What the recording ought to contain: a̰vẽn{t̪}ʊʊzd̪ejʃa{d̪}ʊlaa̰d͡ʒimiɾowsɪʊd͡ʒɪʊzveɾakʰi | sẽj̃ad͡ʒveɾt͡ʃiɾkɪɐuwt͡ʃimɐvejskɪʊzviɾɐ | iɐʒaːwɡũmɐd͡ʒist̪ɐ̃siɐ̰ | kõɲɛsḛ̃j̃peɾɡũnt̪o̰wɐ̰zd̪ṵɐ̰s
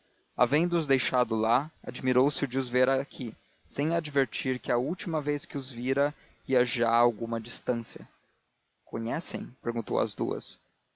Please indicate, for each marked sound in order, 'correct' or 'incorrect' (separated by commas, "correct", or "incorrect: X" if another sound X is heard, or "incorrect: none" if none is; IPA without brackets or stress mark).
incorrect: d̪, correct